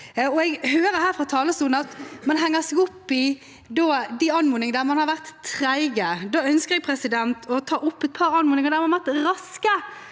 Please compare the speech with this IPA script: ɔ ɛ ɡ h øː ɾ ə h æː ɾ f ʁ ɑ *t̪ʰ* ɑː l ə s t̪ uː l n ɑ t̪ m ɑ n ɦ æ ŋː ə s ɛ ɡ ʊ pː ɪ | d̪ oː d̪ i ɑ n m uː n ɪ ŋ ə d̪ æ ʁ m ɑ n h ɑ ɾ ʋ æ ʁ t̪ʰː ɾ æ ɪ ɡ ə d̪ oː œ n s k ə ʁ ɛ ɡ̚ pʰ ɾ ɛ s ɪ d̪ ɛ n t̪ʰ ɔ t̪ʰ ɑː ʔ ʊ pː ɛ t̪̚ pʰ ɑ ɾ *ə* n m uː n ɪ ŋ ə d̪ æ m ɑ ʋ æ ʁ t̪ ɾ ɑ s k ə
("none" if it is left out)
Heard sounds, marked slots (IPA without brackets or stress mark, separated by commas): t̪ʰ, ɑ